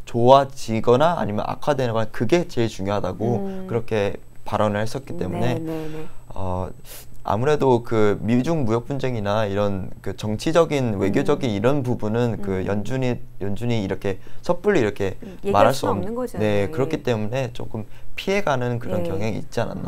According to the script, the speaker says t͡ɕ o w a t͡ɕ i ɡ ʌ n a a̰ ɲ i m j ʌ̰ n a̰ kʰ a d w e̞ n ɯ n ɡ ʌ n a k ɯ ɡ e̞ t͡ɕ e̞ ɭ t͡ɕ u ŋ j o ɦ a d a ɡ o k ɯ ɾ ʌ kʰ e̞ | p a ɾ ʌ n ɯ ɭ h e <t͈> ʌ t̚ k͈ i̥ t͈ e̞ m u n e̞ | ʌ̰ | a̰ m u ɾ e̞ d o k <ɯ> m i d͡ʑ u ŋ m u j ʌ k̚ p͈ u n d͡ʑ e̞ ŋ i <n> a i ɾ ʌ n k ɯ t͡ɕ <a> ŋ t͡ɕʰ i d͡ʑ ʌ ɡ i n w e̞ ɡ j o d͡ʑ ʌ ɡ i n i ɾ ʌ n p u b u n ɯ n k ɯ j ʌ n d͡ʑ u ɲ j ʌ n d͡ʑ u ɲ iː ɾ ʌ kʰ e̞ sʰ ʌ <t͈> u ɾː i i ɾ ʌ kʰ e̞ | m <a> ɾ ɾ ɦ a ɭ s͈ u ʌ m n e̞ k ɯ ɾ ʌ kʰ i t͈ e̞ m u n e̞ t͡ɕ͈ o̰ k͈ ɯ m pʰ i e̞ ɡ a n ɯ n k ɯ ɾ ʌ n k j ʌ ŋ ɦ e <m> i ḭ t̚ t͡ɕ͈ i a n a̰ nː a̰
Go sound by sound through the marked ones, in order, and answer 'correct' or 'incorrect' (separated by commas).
incorrect, correct, correct, incorrect, incorrect, correct, incorrect